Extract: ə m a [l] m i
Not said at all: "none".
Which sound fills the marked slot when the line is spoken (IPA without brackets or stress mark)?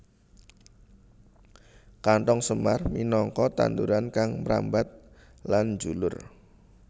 r